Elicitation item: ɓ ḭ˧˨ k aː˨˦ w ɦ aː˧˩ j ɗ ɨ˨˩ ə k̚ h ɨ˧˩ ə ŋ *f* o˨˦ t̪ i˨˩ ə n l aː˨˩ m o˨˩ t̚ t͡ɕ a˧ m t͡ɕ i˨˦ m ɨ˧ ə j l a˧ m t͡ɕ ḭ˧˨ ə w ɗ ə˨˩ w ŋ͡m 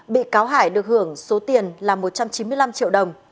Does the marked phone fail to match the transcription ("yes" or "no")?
yes